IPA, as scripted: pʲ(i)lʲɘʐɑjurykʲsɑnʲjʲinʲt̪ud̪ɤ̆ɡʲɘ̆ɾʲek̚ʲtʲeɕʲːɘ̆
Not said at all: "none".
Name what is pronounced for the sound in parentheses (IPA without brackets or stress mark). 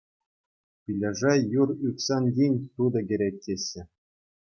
i